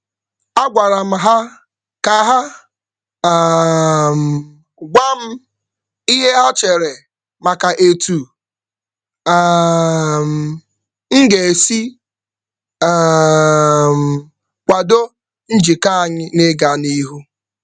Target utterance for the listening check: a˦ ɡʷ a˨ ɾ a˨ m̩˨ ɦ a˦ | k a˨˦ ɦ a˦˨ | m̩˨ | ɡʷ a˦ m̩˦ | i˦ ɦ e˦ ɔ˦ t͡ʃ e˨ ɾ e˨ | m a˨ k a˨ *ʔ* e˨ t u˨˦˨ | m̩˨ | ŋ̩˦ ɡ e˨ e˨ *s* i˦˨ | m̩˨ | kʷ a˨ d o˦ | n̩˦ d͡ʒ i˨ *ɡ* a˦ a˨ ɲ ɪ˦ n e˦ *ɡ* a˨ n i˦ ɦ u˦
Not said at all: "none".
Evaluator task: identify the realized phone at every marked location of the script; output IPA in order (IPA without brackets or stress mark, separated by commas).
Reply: ʔ, s, k, ɡ